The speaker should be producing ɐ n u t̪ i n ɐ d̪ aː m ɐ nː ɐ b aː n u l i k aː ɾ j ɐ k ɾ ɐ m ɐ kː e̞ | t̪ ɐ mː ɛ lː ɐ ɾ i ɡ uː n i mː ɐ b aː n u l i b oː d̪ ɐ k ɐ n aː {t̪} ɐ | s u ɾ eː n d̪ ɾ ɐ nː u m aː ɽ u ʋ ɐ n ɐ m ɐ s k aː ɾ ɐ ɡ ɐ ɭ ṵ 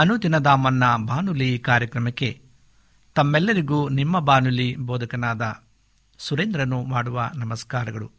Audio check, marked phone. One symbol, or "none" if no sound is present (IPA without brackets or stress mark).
d̪